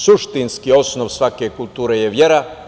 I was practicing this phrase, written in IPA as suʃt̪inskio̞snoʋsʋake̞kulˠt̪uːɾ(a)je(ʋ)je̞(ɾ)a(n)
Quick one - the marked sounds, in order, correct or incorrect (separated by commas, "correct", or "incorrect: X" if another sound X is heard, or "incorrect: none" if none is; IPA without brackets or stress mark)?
incorrect: e, correct, correct, incorrect: none